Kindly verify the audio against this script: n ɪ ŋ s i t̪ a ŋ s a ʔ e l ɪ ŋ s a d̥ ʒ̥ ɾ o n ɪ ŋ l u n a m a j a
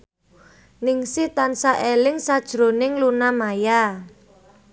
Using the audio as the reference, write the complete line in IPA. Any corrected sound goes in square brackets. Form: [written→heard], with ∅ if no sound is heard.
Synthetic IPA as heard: n ɪ ŋ s i t̪ a [ŋ→n] s a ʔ e l ɪ ŋ s a d̥ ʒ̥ ɾ o n ɪ ŋ l u n a m a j a